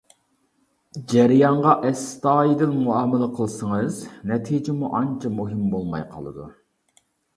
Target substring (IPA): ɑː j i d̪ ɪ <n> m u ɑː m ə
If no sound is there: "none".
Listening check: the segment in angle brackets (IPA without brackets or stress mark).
n